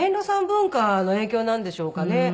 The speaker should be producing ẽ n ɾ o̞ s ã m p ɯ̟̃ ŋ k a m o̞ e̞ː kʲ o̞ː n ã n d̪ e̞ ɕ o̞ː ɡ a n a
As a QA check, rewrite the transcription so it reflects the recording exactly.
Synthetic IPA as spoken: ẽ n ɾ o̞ s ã m b ɯ̟̃ ŋ k a n o̞ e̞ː kʲ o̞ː n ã n d̪ e̞ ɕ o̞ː k a n e